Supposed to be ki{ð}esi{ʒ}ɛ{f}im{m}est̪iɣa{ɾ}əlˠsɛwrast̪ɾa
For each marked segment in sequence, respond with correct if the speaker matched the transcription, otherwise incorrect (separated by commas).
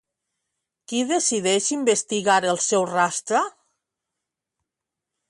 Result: correct, incorrect, incorrect, incorrect, correct